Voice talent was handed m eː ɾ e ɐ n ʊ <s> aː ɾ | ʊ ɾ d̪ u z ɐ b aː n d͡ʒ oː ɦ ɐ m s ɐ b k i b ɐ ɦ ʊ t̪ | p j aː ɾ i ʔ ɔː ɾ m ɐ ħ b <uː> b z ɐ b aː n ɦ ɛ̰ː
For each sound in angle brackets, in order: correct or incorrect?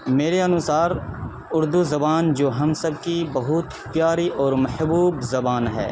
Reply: correct, correct

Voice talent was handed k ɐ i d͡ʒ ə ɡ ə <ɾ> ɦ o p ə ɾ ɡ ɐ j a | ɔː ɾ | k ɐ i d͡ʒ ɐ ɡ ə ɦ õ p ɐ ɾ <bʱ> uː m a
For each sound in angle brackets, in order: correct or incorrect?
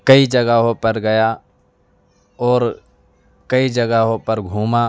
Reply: incorrect: none, incorrect: ɡʱ

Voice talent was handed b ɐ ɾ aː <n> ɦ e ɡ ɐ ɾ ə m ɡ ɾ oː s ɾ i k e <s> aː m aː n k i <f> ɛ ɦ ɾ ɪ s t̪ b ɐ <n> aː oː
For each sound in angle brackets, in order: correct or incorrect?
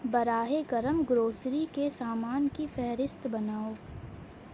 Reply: incorrect: none, correct, correct, correct

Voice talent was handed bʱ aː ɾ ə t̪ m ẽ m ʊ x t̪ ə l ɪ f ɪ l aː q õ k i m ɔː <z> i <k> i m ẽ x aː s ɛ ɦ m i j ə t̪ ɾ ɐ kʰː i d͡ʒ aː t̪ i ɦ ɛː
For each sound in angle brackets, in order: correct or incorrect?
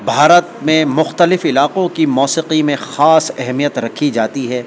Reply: incorrect: s, incorrect: q

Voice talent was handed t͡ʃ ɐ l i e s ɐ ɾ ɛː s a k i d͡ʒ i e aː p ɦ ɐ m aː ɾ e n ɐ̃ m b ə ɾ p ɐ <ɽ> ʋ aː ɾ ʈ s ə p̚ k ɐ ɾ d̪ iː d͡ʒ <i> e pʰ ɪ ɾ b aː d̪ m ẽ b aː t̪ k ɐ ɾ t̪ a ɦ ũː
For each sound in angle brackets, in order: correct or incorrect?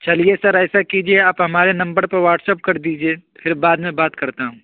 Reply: incorrect: ɾ, correct

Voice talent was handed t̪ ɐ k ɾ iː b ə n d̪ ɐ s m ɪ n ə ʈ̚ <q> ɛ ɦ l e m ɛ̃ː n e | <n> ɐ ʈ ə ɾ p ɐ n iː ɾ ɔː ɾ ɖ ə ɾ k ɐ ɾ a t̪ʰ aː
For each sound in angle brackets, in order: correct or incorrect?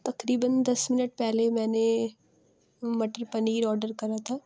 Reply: incorrect: p, incorrect: m

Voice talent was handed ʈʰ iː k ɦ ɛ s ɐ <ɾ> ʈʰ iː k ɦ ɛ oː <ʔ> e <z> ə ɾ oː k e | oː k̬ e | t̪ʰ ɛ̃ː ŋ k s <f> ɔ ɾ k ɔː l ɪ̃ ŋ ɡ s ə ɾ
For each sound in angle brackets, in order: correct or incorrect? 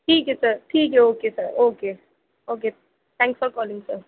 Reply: correct, incorrect: k, incorrect: s, correct

